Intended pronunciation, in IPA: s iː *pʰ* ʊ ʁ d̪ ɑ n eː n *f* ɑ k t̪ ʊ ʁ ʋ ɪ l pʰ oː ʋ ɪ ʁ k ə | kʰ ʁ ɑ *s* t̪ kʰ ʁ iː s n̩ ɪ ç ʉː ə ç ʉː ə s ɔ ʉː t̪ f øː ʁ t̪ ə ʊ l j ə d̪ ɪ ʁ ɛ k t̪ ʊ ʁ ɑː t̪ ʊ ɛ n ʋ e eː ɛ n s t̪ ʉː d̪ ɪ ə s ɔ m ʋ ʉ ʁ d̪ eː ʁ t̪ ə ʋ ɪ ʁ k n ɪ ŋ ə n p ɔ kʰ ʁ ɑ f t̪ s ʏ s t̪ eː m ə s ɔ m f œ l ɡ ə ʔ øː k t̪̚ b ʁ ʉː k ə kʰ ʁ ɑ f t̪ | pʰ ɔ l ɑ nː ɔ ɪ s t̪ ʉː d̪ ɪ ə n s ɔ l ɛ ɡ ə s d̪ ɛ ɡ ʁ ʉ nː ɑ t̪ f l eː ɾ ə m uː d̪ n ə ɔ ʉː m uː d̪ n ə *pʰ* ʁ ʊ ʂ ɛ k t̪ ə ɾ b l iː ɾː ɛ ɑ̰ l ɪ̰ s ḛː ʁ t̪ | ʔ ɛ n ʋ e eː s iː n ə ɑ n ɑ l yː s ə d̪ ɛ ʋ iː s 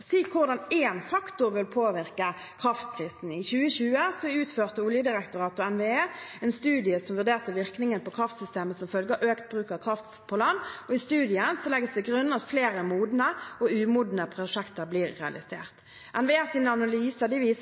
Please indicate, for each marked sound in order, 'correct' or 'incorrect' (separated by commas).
incorrect, correct, incorrect, correct